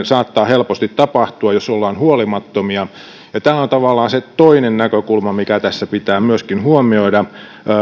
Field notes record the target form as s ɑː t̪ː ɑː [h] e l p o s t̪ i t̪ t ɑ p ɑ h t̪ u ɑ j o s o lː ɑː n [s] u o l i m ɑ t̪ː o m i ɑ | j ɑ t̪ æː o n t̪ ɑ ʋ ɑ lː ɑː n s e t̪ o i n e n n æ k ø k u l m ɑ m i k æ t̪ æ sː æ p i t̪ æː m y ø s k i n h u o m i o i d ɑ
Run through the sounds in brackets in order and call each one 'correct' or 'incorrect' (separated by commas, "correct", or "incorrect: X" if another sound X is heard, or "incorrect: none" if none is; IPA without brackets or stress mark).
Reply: correct, incorrect: h